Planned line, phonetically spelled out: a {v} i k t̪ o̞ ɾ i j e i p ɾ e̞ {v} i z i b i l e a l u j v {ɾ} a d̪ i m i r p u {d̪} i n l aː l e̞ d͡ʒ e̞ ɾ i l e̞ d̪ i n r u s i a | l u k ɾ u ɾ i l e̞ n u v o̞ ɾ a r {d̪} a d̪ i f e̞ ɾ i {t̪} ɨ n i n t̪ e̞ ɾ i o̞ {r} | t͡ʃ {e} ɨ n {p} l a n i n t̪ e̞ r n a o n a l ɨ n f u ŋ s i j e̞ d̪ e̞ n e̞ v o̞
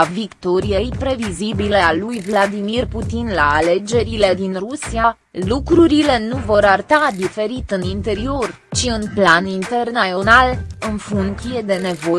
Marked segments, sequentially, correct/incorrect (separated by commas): correct, correct, incorrect, incorrect, incorrect, correct, correct, incorrect, correct